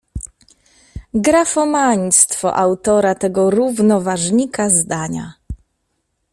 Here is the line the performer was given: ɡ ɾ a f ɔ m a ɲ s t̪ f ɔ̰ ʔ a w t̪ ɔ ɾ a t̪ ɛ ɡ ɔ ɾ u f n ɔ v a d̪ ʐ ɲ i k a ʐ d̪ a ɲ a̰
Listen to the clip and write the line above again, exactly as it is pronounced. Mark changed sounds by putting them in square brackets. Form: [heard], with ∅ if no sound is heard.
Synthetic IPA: ɡ ɾ a f ɔ m a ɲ s t̪ f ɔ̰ ʔ a w t̪ ɔ ɾ a t̪ ɛ ɡ ɔ ɾ u [v] n ɔ v a [∅] ʐ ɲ i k a [z] d̪ a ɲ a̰